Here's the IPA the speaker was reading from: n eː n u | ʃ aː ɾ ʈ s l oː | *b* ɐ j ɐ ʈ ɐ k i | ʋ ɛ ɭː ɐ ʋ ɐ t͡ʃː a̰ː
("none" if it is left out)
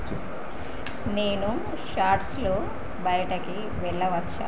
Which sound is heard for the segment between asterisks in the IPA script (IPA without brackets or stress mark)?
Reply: b